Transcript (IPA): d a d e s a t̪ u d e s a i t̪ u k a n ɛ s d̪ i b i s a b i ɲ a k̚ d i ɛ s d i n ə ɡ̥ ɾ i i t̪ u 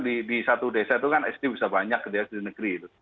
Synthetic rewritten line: d i d i s a t̪ u d e s a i t̪ u k a n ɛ s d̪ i b i s a b a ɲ a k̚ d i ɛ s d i n ə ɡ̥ ɾ i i t̪ u